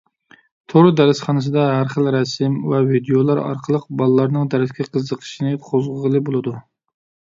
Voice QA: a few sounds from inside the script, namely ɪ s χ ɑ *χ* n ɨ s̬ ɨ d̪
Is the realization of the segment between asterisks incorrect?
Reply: yes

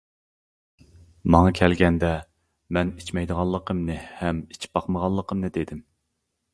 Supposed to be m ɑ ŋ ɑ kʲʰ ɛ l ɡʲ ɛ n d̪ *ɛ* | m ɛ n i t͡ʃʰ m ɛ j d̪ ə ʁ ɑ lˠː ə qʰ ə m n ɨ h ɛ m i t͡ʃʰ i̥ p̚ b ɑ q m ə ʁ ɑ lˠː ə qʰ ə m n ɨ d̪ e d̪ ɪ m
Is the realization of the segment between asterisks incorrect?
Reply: no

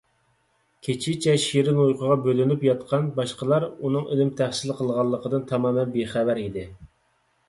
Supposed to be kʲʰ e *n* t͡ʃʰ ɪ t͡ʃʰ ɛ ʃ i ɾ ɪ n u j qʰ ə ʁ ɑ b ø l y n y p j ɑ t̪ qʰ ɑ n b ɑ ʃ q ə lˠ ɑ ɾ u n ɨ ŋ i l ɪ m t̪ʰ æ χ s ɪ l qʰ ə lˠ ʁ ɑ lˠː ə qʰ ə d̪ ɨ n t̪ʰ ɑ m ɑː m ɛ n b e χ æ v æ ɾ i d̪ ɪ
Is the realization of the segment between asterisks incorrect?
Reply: yes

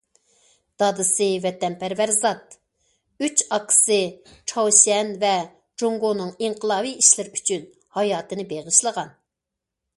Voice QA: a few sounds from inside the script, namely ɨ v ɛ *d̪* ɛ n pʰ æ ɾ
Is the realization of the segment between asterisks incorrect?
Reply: yes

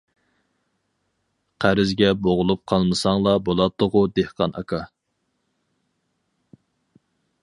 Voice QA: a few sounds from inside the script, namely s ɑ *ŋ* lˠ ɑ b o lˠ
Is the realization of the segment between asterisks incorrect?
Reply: no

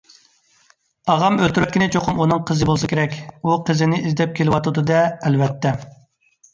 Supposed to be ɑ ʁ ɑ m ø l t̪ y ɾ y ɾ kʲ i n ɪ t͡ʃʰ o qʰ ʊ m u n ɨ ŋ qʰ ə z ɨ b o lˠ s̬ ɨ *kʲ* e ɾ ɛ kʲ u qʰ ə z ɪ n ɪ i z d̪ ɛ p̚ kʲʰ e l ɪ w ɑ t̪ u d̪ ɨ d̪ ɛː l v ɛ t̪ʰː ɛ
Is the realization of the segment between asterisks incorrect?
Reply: no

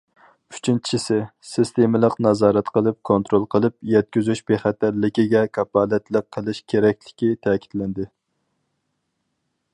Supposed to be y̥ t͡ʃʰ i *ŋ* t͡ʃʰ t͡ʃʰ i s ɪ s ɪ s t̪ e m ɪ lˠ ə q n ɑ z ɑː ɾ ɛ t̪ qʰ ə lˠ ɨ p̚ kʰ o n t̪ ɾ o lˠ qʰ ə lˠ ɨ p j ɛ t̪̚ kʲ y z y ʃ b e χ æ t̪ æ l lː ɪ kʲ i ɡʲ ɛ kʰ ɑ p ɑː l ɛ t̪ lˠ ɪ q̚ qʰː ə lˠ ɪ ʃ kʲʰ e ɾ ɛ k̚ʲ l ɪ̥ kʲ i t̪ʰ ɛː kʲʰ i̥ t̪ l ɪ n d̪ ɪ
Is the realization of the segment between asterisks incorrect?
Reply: yes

